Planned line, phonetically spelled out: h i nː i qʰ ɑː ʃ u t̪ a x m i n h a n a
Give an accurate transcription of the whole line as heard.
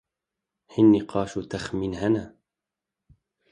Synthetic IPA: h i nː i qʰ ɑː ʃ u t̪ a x m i n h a n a